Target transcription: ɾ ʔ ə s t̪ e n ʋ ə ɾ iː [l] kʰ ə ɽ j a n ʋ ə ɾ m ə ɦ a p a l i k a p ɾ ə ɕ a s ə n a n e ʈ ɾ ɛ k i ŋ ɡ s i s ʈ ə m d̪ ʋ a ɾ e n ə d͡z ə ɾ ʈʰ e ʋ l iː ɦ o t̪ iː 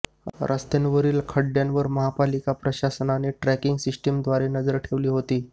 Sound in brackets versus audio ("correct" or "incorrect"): correct